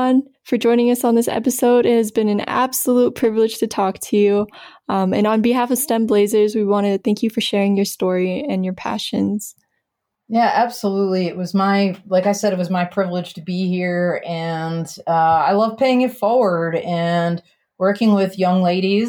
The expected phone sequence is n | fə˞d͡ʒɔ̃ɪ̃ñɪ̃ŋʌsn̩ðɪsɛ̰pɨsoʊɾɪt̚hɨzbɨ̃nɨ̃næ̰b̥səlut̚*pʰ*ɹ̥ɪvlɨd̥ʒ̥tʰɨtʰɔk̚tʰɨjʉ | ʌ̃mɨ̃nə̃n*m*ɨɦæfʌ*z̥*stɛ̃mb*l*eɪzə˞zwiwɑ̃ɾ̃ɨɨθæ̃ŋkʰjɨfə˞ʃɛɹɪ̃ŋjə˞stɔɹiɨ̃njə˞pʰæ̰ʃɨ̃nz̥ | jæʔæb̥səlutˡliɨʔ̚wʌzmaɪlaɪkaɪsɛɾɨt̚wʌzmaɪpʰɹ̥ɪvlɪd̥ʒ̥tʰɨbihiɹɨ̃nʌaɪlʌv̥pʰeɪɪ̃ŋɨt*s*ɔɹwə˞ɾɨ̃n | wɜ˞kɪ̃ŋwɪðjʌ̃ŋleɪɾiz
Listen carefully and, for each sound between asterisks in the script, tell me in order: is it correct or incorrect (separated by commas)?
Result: correct, incorrect, incorrect, correct, incorrect